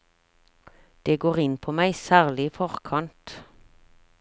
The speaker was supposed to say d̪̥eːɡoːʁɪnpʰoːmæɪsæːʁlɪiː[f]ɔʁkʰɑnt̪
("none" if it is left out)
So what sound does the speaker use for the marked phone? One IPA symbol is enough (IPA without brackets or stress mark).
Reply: f